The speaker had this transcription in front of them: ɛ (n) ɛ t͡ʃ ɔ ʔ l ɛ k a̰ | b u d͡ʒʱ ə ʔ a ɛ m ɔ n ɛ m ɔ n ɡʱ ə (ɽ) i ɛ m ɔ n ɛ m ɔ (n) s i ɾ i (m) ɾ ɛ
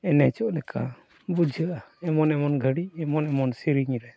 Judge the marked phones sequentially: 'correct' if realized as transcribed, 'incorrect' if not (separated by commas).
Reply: correct, correct, correct, incorrect